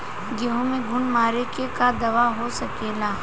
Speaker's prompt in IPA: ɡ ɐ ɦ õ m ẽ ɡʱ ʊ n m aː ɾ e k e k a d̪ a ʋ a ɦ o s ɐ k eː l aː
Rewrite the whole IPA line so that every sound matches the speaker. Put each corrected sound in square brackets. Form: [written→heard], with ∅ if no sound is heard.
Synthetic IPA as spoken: ɡ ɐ ɦ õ m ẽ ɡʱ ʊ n m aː ɾ e k e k a d̪ [a→ɐ] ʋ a ɦ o s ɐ k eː l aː